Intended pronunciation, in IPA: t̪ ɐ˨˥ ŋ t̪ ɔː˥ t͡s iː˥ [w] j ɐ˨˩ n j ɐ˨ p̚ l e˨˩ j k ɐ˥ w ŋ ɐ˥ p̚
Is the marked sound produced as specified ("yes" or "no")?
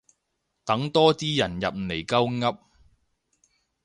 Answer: no